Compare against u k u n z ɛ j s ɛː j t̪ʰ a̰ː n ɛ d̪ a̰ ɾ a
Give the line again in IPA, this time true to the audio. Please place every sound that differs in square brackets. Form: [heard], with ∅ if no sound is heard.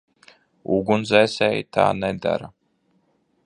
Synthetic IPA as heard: u [ɡ] u n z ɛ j s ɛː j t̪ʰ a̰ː n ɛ d̪ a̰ ɾ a